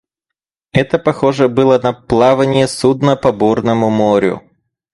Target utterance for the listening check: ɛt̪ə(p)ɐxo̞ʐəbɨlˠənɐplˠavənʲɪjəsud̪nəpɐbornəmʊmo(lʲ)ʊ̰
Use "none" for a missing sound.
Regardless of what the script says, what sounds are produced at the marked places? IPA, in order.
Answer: p, ɾʲ

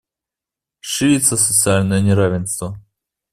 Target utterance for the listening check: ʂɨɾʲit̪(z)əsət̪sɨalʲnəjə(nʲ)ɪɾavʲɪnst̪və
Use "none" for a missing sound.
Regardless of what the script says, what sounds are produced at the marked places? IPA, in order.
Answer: s, nʲ

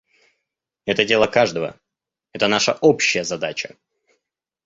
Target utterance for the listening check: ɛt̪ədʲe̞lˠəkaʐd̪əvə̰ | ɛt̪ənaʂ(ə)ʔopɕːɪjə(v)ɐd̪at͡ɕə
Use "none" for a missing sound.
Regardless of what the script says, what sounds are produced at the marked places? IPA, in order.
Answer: ə, z

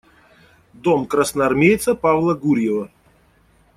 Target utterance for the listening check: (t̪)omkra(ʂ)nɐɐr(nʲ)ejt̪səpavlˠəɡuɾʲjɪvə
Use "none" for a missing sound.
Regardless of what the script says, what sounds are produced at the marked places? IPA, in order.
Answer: d̪, s, mʲ

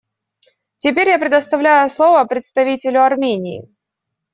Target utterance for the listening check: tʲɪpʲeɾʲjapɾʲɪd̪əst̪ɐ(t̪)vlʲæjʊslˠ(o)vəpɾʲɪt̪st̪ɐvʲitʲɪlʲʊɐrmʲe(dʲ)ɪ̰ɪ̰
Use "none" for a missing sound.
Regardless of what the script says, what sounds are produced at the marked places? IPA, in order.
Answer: none, o, nʲ

